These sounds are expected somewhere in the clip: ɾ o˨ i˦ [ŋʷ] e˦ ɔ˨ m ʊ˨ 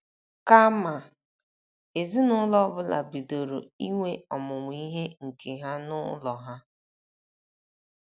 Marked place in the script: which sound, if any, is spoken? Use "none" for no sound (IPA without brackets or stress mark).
ŋʷ